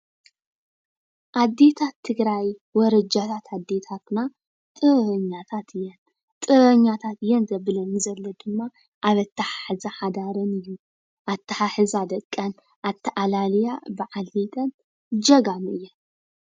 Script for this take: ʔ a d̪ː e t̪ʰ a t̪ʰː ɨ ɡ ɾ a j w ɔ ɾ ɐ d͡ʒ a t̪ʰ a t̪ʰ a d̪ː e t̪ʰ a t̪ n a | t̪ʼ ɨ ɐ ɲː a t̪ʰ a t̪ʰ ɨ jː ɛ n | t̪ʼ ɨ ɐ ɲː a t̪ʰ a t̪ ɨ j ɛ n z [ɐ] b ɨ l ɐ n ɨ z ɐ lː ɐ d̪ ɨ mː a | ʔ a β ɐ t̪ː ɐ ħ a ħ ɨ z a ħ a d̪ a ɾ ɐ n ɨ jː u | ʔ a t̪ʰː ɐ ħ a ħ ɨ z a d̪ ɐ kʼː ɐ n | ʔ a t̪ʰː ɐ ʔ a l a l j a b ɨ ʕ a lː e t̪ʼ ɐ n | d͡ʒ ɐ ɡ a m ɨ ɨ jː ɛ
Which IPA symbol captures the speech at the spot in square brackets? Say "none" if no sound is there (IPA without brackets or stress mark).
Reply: ɐ